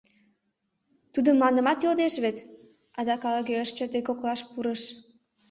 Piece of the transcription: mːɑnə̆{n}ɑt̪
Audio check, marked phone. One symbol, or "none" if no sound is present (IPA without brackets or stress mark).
m